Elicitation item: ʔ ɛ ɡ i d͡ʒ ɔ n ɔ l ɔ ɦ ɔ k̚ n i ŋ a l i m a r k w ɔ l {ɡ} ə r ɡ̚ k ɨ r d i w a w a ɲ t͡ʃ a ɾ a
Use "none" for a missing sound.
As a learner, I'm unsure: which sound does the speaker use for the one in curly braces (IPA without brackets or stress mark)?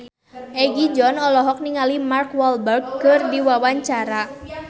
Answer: b